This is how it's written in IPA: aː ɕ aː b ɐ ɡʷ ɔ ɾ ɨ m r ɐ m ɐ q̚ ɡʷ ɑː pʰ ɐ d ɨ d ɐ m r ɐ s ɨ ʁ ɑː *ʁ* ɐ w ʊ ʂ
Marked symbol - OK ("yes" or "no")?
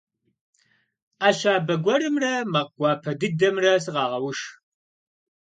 yes